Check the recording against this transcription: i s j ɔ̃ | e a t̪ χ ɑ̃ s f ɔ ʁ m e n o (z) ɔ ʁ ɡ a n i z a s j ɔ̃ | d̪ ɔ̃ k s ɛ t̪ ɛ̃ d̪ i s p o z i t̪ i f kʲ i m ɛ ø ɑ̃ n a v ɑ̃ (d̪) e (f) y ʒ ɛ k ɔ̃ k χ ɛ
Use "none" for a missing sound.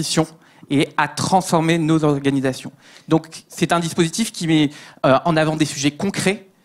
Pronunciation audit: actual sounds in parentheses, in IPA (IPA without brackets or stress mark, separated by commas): z, d̪, s